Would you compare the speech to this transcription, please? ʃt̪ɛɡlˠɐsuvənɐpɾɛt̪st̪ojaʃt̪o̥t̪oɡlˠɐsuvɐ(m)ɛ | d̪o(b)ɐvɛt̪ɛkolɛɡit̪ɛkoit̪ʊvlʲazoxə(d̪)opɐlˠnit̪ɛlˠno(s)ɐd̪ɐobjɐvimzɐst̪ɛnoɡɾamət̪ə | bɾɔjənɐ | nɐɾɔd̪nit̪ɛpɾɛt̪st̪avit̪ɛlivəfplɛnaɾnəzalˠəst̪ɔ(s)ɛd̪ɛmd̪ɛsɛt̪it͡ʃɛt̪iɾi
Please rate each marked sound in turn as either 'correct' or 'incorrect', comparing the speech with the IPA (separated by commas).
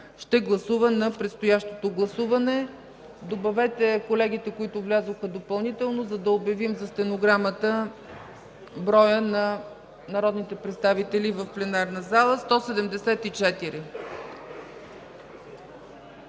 incorrect, correct, correct, incorrect, correct